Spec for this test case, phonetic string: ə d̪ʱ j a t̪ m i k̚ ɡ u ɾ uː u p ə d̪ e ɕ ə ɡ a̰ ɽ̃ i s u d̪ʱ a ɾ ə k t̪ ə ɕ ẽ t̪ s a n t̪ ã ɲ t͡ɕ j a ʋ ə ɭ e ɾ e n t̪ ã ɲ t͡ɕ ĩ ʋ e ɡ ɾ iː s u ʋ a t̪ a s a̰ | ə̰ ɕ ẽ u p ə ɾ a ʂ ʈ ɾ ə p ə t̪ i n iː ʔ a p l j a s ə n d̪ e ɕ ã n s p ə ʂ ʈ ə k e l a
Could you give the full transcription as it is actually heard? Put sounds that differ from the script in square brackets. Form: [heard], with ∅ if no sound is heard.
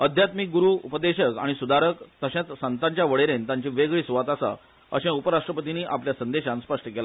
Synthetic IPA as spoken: ə d̪ʱ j a t̪ m i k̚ ɡ u ɾ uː u p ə d̪ e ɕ ə [k] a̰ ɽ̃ i s u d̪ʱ a ɾ ə k t̪ ə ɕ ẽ t̪ s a n t̪ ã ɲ t͡ɕ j a ʋ ə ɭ e ɾ e n t̪ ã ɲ t͡ɕ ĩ ʋ e ɡ [ɭ] iː s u ʋ a t̪ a s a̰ | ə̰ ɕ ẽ u p ə ɾ a ʂ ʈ ɾ ə p ə t̪ i n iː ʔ a p l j a s ə n d̪ e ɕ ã n s p ə ʂ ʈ ə k e l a